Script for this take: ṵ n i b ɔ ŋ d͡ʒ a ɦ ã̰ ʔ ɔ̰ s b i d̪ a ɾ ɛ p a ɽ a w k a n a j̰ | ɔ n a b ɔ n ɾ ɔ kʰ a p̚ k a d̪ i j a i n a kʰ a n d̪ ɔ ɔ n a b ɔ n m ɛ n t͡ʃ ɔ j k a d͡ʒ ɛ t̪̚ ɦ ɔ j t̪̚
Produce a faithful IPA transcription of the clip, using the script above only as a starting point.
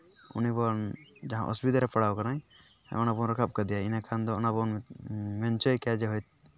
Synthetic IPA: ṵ n i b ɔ n d͡ʒ a ɦ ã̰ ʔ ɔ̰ s b i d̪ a ɾ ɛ p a ɽ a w k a n a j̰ | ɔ n a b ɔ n ɾ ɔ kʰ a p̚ k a d̪ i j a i n a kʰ a n d̪ ɔ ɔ n a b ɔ n m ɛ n t͡ʃ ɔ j k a d͡ʒ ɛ ɦ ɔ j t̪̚